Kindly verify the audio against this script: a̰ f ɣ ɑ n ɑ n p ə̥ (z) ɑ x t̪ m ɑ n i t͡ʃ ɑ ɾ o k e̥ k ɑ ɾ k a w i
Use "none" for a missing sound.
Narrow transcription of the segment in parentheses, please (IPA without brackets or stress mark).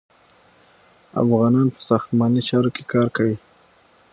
s